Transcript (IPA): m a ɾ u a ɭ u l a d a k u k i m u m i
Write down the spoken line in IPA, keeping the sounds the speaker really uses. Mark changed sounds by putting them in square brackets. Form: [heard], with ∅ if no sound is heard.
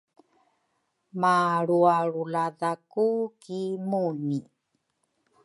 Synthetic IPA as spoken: m a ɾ u a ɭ u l a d a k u k i m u [n] i